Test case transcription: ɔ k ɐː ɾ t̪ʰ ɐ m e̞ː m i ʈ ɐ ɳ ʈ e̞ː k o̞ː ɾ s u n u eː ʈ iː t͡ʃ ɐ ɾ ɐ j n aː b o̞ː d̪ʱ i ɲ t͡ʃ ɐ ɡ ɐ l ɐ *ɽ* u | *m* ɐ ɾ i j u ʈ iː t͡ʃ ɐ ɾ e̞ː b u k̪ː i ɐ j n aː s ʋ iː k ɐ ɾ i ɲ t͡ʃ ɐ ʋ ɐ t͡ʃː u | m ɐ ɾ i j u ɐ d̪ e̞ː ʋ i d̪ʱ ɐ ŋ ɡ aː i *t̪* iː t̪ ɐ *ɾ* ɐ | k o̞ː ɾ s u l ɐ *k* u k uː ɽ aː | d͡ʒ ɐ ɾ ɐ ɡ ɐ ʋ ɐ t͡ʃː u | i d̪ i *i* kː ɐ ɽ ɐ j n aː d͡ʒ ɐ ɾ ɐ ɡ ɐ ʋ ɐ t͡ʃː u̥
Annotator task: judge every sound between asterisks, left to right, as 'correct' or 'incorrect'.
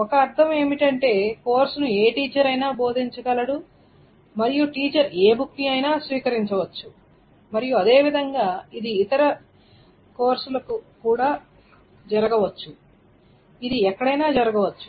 correct, correct, incorrect, correct, correct, incorrect

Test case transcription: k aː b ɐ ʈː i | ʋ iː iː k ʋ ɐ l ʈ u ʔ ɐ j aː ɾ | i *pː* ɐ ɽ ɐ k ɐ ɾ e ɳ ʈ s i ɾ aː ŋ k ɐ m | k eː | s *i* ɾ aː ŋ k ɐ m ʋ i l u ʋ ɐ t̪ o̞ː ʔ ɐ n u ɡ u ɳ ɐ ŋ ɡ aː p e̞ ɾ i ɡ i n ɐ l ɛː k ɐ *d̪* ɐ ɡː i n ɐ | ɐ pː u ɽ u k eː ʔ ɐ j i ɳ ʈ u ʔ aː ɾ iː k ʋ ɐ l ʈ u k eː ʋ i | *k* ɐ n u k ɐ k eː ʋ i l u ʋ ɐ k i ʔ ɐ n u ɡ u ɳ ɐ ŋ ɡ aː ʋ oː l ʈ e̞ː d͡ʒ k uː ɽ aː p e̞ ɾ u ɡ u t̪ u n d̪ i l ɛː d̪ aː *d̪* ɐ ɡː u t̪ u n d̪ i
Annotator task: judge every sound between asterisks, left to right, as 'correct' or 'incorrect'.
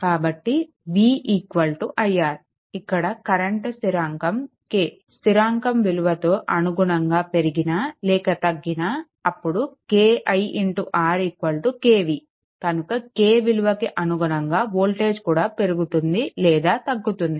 incorrect, correct, incorrect, correct, incorrect

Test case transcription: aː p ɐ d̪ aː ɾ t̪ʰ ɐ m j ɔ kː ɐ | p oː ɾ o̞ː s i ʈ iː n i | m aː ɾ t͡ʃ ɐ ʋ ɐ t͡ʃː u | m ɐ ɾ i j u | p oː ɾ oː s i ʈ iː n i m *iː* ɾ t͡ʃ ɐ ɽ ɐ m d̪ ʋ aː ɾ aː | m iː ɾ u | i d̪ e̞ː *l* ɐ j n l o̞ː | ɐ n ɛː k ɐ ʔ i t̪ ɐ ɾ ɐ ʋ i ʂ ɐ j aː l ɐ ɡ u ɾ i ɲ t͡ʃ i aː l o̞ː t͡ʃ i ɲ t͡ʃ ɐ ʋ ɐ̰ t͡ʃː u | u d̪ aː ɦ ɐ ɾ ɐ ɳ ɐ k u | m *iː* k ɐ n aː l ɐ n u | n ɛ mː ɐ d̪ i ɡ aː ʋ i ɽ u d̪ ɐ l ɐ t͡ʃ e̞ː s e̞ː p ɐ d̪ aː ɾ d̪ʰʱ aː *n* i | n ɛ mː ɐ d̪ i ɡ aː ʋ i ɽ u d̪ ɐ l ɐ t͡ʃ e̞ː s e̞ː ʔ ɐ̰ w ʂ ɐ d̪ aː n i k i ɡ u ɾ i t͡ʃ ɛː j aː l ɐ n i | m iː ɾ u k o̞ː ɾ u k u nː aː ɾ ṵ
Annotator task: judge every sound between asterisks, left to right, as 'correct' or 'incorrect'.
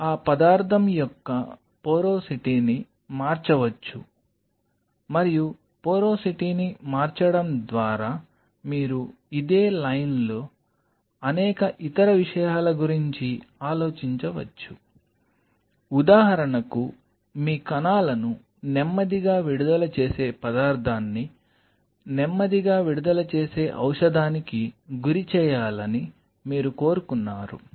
incorrect, correct, correct, incorrect

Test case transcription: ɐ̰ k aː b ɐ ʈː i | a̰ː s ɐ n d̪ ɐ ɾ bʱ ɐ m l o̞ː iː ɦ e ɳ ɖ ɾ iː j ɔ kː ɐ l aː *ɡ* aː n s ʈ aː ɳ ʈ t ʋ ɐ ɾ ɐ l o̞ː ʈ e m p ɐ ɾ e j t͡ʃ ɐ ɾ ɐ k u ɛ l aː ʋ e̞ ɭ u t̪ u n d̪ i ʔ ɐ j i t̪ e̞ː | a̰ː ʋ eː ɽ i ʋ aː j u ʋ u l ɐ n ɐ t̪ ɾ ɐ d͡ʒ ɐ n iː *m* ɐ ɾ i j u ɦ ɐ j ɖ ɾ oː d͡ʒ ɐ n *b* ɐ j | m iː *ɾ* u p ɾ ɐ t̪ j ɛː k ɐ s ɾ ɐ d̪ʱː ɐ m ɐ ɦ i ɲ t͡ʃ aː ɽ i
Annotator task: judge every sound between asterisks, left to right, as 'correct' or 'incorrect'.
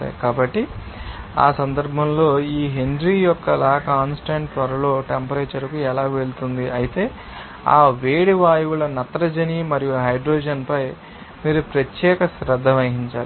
incorrect, correct, incorrect, correct

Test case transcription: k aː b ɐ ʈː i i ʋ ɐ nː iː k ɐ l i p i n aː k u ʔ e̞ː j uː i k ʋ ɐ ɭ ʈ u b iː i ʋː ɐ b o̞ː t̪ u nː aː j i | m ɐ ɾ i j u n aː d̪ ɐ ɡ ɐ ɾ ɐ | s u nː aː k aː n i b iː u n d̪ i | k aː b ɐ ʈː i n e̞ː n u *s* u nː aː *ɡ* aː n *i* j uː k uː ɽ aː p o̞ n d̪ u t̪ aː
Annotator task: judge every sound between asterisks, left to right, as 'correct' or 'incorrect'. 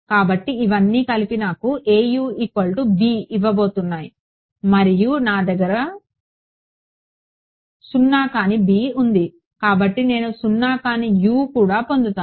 correct, incorrect, correct

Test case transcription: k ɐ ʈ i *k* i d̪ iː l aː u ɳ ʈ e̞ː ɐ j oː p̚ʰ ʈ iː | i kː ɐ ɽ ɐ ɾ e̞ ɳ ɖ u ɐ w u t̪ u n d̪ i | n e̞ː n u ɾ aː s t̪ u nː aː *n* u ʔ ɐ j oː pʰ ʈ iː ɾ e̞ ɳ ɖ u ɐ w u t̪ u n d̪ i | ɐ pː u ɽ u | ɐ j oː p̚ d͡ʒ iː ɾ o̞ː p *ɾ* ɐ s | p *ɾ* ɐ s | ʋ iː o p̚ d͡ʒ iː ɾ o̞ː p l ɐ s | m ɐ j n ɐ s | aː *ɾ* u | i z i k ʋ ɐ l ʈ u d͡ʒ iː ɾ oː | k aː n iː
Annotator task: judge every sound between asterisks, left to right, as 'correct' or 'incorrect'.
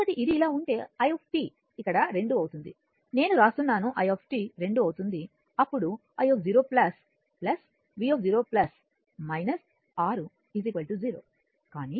incorrect, correct, incorrect, incorrect, correct

